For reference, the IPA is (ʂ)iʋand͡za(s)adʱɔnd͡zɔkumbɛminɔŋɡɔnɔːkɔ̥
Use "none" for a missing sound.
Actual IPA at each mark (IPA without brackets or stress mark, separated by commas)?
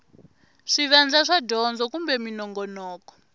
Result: ʂ, ʂ